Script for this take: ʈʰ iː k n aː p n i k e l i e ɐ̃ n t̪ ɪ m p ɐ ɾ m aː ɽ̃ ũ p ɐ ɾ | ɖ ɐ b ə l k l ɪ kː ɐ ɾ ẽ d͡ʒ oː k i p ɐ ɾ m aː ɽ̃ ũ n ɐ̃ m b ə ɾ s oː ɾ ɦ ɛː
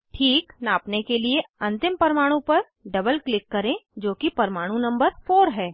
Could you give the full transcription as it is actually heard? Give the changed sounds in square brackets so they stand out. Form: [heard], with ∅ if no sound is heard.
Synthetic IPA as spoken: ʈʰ iː k n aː p n [e] k e l i e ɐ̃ n t̪ ɪ m p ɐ ɾ m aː ɽ̃ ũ p ɐ ɾ | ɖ ɐ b ə l k l ɪ kː ɐ ɾ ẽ d͡ʒ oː k i p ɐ ɾ m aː ɽ̃ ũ n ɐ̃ m b ə ɾ [f] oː ɾ ɦ ɛː